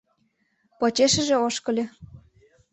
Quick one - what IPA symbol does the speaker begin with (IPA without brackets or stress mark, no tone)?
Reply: p